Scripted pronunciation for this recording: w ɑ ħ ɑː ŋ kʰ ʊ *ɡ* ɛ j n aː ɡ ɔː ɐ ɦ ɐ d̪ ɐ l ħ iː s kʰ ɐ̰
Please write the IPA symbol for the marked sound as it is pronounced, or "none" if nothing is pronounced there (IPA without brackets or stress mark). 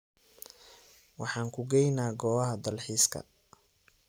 ɡ